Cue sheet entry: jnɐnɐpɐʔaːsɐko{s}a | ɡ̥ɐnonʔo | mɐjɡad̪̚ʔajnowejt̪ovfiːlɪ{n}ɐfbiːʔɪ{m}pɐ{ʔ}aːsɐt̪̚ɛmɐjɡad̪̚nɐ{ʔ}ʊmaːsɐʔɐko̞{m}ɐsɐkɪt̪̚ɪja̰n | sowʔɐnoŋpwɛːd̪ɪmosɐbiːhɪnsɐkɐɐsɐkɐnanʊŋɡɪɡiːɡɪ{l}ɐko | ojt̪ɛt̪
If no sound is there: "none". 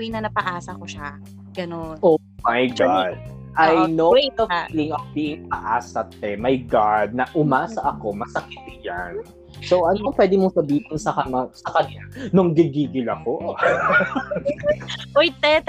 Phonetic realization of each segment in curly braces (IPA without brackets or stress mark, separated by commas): ʃ, ŋ, ŋ, ʔ, ʔ, m, l